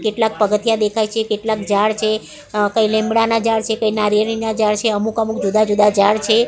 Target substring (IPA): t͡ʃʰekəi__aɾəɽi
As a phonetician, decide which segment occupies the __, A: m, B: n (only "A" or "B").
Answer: B